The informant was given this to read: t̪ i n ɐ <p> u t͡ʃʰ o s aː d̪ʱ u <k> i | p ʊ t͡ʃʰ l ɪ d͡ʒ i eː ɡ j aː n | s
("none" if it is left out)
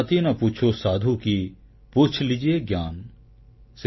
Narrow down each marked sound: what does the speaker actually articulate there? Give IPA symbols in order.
p, k

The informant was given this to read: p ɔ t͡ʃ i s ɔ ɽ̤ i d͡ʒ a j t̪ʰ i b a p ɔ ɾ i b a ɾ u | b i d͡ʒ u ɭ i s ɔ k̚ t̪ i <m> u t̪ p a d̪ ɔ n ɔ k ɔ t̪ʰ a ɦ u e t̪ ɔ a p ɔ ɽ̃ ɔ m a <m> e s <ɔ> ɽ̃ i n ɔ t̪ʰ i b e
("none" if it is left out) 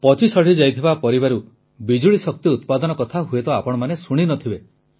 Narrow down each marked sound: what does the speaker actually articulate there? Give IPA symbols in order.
none, n, u

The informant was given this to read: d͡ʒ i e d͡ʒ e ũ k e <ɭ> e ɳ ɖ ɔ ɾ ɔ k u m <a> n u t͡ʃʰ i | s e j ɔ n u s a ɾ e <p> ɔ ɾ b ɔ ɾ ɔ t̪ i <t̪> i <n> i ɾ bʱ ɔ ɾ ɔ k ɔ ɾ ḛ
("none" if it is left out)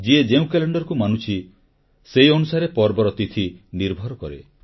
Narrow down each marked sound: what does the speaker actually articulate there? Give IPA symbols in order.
l, a, p, t̪ʰ, n

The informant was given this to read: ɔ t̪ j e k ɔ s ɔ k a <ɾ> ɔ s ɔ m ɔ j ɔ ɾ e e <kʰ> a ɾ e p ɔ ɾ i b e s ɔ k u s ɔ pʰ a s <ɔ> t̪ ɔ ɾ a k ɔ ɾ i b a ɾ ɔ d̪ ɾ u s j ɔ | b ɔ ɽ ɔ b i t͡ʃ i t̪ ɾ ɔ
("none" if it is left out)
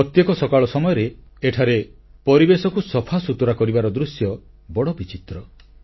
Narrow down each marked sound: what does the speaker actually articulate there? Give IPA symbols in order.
ɭ, ʈʰ, u

